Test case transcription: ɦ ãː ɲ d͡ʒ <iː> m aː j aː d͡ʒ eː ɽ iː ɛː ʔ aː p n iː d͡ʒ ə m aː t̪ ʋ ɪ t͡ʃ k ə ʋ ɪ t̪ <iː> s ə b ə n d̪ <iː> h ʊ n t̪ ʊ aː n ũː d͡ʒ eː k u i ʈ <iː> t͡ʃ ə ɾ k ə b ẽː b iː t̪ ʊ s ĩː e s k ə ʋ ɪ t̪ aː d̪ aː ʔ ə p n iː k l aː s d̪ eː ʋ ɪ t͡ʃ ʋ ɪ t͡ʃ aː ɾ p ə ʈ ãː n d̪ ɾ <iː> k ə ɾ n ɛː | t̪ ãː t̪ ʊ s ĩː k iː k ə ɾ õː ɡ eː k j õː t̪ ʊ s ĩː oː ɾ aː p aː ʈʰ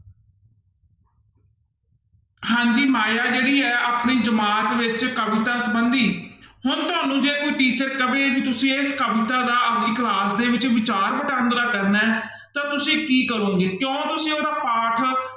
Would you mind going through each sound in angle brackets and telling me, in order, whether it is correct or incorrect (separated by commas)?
correct, incorrect, correct, correct, incorrect